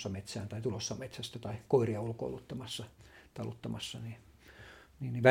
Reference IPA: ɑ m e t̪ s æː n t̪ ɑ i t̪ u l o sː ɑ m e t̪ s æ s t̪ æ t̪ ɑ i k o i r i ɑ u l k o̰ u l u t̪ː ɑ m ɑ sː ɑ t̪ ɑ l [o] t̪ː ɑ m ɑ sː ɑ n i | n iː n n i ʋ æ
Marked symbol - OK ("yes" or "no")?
no